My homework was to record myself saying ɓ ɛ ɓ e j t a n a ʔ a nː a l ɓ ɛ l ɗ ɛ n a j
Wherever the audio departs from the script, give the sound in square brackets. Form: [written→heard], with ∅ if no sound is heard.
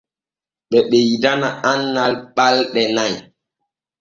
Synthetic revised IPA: ɓ ɛ ɓ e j [t→d] a n a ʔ a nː a l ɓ [ɛ→a] l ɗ ɛ n a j